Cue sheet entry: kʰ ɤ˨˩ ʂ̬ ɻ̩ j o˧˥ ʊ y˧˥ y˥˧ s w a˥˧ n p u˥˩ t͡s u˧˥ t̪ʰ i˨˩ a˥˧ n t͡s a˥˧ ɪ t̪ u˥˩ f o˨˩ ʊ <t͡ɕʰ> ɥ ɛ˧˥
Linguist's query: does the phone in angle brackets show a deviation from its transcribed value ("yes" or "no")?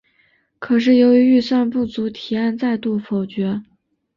yes